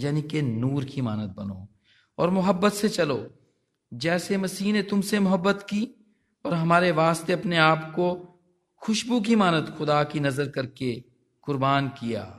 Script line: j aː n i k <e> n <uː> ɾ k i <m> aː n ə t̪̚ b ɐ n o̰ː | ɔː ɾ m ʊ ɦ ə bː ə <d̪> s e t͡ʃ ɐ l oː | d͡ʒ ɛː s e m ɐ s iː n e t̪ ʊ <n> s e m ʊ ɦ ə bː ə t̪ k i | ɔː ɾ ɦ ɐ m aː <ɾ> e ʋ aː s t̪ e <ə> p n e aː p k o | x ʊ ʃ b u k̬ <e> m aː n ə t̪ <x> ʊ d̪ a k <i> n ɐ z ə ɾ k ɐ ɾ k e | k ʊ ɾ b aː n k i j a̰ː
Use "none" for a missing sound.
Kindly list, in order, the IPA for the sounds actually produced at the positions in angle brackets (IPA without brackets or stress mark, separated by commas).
e, uː, m, t̪, m, ɾ, ɐ, i, x, i